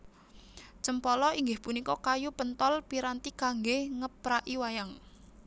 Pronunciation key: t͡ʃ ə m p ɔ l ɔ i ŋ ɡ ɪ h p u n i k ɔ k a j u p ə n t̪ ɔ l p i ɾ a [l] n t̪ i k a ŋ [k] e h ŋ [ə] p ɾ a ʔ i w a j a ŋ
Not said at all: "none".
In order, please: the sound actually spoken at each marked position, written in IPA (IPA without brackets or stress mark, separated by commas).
none, ɡ, ə